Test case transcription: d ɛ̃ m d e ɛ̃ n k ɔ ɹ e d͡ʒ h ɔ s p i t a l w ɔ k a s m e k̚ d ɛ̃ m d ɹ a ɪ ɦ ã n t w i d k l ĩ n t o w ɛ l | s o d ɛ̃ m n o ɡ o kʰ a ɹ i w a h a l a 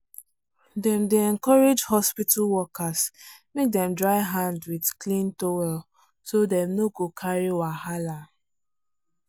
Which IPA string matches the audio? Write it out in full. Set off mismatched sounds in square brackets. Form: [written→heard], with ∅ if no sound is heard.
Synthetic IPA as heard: d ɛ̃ m d e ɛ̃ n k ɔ ɹ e d͡ʒ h ɔ s p i t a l w ɔ k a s m e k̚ d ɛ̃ m d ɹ a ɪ ɦ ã n [t→d] w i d k l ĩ n t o w ɛ l | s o d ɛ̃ m n o ɡ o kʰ a ɹ i w a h a l a